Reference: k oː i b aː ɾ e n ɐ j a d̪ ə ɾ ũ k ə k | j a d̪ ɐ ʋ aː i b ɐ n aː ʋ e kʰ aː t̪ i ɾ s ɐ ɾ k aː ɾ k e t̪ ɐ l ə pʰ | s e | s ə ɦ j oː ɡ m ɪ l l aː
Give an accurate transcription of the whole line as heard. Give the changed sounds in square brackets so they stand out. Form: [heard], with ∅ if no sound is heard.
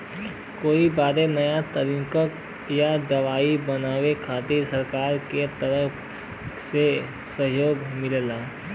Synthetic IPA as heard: k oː i b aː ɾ e n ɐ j a [t̪] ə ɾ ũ k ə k | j a d̪ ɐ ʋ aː i b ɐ n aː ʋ e kʰ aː t̪ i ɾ s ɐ ɾ k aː ɾ k e t̪ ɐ [ɾ] ə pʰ | s e | s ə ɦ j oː ɡ m ɪ l l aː